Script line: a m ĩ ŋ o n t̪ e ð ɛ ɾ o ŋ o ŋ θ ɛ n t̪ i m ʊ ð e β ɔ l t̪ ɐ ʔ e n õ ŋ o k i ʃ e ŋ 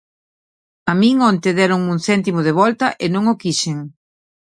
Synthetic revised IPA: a m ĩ ŋ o n t̪ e ð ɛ ɾ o ŋ u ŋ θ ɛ n t̪ i m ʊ ð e β ɔ l t̪ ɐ ʔ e n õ ŋ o k i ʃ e ŋ